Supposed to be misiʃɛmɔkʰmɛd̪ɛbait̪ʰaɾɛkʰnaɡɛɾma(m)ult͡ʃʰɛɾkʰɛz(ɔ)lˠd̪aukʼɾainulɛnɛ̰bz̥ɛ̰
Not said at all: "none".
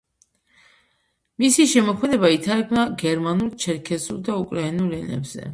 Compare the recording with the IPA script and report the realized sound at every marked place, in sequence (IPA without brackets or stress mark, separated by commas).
n, u